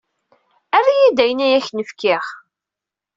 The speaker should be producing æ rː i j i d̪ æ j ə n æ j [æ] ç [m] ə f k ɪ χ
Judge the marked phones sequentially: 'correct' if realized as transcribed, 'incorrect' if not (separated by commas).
correct, incorrect